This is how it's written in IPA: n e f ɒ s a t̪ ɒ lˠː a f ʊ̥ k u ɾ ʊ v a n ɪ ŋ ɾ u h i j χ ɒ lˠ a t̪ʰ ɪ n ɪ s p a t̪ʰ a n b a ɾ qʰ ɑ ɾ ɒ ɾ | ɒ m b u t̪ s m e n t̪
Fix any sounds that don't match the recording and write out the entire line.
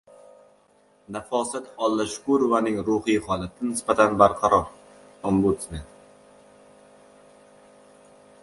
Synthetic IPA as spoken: n a f ɒ s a t̪ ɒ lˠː a ʃ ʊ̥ k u ɾ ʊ v a n ɪ ŋ ɾ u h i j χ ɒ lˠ a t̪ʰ ɪ n ɪ s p a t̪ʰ a n b a ɾ qʰ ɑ ɾ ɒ ɾ | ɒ m b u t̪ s m e n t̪

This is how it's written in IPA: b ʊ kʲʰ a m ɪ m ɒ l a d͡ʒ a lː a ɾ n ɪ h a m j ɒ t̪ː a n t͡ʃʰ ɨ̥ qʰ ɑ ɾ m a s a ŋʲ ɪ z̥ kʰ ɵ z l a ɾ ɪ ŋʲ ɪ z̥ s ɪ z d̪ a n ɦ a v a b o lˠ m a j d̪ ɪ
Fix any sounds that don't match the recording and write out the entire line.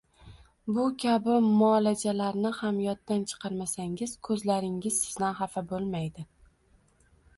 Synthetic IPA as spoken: b ʊ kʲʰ a b ɪ m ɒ l a d͡ʒ a l a ɾ n ɪ h a m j ɒ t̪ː a n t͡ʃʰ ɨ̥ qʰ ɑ ɾ m a s a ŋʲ ɪ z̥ kʰ ɵ z l a ɾ ɪ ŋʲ ɪ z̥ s ɪ z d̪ a n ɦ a f a b o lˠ m a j d̪ ɪ

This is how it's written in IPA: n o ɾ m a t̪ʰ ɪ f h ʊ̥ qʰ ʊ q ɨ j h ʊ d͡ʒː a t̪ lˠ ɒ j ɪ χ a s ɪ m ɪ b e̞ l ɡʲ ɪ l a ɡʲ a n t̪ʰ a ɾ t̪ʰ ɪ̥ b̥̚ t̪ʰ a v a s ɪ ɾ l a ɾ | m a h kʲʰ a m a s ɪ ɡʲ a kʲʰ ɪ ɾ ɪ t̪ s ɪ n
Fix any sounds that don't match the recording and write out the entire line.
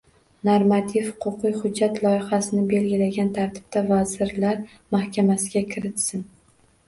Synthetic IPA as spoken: n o ɾ m a t̪ʰ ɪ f h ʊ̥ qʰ ʊ q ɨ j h ʊ d͡ʒː a t̪ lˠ ɒ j ɪ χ a s ɪ n ɪ b e̞ l ɡʲ ɪ l a ɡʲ a n t̪ʰ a ɾ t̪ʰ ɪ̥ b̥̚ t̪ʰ a v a z ɪ ɾ l a ɾ | m a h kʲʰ a m a s ɪ ɡʲ a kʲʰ ɪ ɾ ɪ t̪ s ɪ n

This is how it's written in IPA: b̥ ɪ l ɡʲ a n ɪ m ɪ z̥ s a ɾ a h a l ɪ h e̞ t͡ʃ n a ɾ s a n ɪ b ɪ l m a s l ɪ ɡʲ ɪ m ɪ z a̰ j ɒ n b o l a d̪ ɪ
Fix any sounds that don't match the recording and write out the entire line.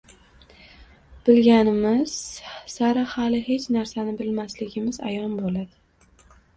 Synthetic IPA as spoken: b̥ ɪ l ɡʲ a n ɪ m ɪ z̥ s a ɾ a h a l ɪ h e̞ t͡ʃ n a ɾ s a n ɪ b ɪ l m a s l ɪ ɡʲ ɪ m ɪ z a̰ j ɒ n b o l a d̪ ɪ

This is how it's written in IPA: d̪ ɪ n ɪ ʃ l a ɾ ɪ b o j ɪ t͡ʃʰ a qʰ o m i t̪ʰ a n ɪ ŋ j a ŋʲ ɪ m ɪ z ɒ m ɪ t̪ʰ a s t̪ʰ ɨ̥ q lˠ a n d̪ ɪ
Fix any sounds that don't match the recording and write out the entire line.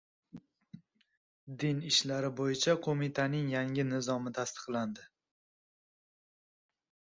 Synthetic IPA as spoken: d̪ ɪ n ɪ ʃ l a ɾ ɪ b o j ɪ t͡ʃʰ a qʰ o m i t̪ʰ a n ɪ ŋ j a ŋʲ ɪ n ɪ z ɒ m ɪ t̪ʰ a s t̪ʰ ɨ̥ q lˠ a n d̪ ɪ

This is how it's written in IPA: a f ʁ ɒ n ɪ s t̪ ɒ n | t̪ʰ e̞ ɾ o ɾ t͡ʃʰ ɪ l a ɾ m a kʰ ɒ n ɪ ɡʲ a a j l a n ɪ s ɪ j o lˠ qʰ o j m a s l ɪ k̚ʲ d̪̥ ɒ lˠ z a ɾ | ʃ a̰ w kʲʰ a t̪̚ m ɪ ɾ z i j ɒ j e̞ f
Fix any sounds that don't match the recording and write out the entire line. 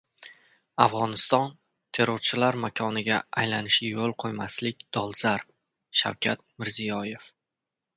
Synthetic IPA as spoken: a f ʁ ɒ n ɪ s t̪ ɒ n | t̪ʰ e̞ ɾ o ɾ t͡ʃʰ ɪ l a ɾ m a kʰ ɒ n ɪ ɡʲ a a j l a n ɪ ʃ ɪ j o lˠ qʰ o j m a s l ɪ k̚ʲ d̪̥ ɒ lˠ z a ɾ | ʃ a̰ w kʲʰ a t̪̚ m ɪ ɾ z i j ɒ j e̞ f

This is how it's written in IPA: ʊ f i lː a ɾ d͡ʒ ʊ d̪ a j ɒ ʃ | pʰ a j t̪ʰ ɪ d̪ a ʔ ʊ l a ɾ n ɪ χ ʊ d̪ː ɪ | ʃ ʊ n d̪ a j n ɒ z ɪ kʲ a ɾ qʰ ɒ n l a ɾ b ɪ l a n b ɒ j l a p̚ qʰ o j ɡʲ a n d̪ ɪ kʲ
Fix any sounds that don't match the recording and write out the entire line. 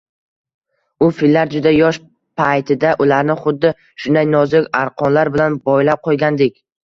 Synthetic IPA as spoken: ʊ f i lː a ɾ d͡ʒ ʊ d̪ a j ɒ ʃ | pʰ a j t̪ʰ ɪ d̪ a ʔ ʊ l a ɾ n ɪ χ ʊ d̪ː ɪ | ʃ ʊ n d̪ a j n ɒ z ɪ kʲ a ɾ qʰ ɒ n l a ɾ b ɪ l a n b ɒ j l a p̚ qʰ o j ɡʲ a n d̪ ɪ kʲ

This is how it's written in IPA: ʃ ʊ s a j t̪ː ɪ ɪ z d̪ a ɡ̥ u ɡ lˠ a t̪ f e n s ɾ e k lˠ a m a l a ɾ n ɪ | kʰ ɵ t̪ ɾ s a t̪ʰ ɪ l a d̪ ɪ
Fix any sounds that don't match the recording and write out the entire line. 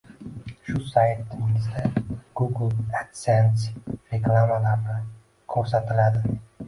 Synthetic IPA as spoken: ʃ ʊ s a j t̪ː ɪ ɪ z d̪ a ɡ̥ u ɡ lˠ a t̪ s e n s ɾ e k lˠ a m a l a ɾ n ɪ | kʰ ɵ ɾ s a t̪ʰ ɪ l a d̪ ɪ

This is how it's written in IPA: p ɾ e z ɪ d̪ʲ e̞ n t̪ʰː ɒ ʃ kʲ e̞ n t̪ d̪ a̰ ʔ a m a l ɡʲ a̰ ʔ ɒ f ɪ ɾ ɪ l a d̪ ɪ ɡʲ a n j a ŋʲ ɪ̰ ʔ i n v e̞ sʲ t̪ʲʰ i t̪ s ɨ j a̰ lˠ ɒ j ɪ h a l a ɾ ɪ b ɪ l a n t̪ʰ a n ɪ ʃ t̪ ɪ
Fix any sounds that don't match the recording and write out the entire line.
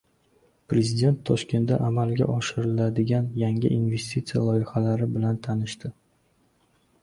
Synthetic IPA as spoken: p ɾ e z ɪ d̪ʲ e̞ n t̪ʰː ɒ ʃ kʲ e̞ n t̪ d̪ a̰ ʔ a m a l ɡʲ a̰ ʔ ɒ ʃ ɪ ɾ ɪ l a d̪ ɪ ɡʲ a n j a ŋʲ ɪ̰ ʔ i n v e̞ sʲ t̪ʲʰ i t̪ s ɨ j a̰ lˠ ɒ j ɪ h a l a ɾ ɪ b ɪ l a n t̪ʰ a n ɪ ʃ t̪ ɪ

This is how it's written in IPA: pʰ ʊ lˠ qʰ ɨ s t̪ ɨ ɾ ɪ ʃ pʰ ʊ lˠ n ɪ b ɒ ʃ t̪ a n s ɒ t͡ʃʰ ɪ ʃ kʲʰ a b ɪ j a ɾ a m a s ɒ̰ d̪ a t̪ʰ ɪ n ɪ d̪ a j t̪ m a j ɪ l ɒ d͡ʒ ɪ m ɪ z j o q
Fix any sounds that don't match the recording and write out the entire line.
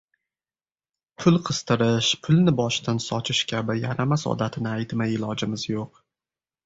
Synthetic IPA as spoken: pʰ ʊ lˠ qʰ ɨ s t̪ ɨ ɾ ɪ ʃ pʰ ʊ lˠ n ɪ b ɒ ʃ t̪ a n s ɒ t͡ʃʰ ɪ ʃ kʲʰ a b ɪ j a ɾ a m a s ɒ̰ d̪ a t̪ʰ ɪ n ɪ a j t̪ m a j ɪ l ɒ d͡ʒ ɪ m ɪ z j o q

